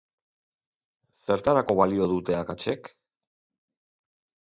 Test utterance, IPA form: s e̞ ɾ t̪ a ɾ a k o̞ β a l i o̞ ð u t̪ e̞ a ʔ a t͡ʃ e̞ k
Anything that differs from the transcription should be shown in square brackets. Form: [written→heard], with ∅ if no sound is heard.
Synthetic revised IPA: s e̞ ɾ t̪ a ɾ a k o̞ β a l i o̞ ð u t̪ e̞ a [ʔ→k] a t͡ʃ e̞ k